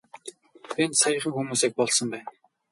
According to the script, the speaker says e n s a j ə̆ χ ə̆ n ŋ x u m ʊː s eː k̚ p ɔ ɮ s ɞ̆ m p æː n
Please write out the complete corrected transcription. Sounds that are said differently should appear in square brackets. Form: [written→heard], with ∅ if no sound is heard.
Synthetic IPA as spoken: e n s a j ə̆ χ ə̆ [n→∅] ŋ x u m [ʊː→uː] s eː k̚ p ɔ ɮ s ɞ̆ m p æː n